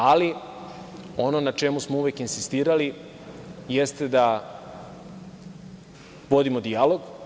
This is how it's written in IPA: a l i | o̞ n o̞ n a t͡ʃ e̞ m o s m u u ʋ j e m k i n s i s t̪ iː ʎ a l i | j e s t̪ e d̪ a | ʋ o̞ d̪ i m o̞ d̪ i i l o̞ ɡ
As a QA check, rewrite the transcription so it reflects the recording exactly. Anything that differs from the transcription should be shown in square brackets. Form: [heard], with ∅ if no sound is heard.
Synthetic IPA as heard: a l i | o̞ n o̞ n a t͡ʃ e̞ m [u] s m [o] u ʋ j e [∅] k i n s i s t̪ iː [ɾ] a l i | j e s t̪ e d̪ a | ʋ o̞ d̪ i m o̞ d̪ i [a] l o̞ ɡ